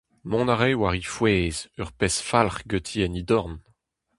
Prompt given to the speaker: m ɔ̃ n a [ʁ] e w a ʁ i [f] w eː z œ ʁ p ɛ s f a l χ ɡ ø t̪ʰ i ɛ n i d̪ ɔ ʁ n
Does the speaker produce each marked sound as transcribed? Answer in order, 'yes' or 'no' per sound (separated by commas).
yes, yes